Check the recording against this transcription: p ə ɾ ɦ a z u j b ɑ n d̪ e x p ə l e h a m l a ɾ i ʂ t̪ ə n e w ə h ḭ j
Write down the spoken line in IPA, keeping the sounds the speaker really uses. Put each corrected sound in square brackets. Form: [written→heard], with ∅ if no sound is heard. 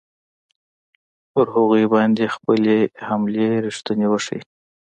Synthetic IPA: p ə ɾ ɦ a [z→ɣ] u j b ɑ n d̪ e x p ə l e h a m l [a→e] ɾ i ʂ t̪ ə n e w ə [h→ʂ] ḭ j

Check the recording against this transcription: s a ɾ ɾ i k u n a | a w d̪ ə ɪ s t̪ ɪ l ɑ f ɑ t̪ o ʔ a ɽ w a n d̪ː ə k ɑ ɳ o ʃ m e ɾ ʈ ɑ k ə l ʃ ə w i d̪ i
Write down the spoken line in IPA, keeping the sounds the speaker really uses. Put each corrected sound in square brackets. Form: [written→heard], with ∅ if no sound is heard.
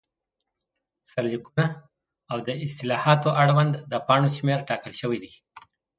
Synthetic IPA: s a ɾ [ɾ→l] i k u n a | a w d̪ ə ɪ s t̪ ɪ l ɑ [f→h] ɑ t̪ o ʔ a ɽ w a n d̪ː ə [k→p] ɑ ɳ o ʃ m e ɾ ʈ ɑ k ə l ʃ ə w i d̪ i

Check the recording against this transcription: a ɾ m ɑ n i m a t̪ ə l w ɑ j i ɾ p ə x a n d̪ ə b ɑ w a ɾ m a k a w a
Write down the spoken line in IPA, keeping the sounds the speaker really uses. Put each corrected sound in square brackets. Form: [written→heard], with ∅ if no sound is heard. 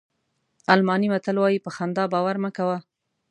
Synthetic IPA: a [ɾ→l] m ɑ n i m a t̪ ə l w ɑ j i [ɾ→∅] p ə x a n d̪ [ə→ɑ] b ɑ w a ɾ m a k a w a

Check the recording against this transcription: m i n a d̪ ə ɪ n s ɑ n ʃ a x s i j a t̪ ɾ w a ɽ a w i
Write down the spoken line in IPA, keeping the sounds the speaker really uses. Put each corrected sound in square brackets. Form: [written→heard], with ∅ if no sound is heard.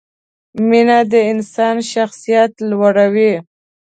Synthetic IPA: m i n a d̪ ə ɪ n s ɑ n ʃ a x s i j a t̪ [ɾ→l] w a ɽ a w i

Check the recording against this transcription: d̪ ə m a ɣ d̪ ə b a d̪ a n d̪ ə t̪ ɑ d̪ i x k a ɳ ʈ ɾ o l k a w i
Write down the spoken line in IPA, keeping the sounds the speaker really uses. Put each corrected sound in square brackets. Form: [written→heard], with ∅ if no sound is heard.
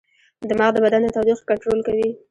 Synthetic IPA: d̪ ə m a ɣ d̪ ə b a d̪ a n d̪ ə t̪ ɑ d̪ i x k a ɳ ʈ ɾ o l k a w i

